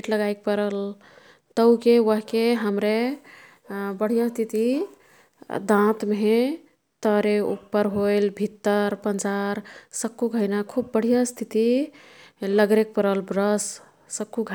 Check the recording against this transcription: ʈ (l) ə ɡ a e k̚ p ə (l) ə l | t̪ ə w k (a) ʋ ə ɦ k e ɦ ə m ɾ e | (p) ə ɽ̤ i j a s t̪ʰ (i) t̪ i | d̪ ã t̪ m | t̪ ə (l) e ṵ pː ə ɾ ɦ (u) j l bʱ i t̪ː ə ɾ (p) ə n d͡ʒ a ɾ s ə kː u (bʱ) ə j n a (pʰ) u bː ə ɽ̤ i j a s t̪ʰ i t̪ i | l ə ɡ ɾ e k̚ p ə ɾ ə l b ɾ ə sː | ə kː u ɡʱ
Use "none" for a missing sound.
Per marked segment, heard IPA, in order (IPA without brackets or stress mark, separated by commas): l, ɾ, e, b, i, ɾ, o, p, ɡʱ, kʰ